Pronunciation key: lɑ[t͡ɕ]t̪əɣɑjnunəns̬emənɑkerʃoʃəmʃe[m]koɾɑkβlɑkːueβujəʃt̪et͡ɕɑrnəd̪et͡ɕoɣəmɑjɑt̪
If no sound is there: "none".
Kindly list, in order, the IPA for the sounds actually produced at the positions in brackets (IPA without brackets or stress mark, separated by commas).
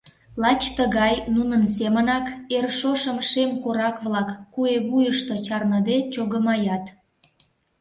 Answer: t͡ɕ, m